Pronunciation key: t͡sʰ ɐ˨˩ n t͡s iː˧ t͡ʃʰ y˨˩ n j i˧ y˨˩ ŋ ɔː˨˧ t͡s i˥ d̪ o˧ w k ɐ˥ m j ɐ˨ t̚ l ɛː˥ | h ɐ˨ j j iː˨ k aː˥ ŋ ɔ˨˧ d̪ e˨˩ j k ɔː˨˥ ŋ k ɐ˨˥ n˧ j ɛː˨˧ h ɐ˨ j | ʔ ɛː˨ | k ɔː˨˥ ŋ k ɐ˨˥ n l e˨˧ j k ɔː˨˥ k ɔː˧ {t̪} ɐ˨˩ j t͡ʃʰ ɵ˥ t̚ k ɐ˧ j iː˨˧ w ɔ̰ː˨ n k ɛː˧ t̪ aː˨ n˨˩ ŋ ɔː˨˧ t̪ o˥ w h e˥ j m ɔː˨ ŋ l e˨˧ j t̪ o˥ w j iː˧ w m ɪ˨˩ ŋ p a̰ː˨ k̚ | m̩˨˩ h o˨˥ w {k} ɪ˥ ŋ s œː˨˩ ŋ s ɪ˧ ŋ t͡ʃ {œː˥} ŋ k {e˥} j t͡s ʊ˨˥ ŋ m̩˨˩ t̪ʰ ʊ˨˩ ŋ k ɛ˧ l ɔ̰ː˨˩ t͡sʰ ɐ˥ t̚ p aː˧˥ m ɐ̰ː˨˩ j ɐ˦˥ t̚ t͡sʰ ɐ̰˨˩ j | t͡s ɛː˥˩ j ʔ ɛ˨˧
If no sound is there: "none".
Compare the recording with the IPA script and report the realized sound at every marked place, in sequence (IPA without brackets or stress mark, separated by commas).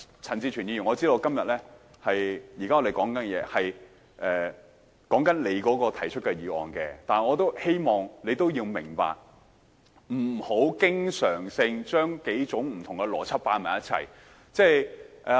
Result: t̪ʰ, k, œː˥, e˨˥